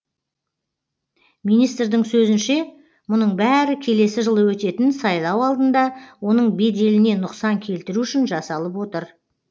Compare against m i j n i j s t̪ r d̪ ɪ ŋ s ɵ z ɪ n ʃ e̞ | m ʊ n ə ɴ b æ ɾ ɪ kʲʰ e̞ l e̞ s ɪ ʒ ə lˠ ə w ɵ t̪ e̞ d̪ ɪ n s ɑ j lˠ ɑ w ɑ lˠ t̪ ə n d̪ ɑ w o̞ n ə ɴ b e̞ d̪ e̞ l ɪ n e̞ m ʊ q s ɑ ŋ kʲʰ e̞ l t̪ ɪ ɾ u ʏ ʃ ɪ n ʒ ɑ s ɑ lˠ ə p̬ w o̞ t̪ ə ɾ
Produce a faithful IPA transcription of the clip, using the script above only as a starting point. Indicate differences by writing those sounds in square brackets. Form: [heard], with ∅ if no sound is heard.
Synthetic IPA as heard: m i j n i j s t̪ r d̪ ɪ ŋ s ɵ z ɪ n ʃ e̞ | m ʊ n ə ɴ b æ ɾ ɪ kʲʰ e̞ l e̞ s ɪ ʒ ə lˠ ə w ɵ t̪ e̞ [t̪] ɪ n s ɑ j lˠ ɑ w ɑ lˠ [d̪] ə n d̪ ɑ w o̞ n ə ɴ b e̞ d̪ e̞ l ɪ n e̞ [n] ʊ q s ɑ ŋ kʲʰ e̞ l t̪ ɪ ɾ u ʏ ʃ ɪ n ʒ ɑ s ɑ lˠ ə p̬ w o̞ t̪ ə ɾ